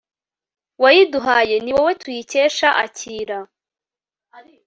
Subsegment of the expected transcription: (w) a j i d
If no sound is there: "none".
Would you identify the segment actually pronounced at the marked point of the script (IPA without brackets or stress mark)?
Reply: w